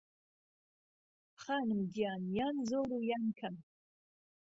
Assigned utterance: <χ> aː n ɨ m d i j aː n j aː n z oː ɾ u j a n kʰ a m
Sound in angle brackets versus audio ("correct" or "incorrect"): correct